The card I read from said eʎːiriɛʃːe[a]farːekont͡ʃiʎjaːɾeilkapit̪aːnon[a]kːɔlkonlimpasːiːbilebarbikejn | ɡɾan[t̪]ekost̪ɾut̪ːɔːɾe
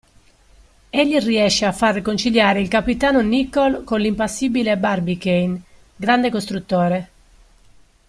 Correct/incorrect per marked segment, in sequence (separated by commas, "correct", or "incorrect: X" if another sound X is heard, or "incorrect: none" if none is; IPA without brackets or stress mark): correct, incorrect: i, incorrect: d̪